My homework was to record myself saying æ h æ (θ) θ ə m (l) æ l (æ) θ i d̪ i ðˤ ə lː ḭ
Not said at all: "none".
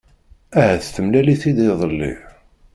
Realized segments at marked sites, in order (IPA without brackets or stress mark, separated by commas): θ, l, i